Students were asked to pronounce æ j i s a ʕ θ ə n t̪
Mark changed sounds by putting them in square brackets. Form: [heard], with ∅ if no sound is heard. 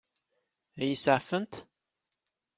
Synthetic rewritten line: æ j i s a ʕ [f] ə n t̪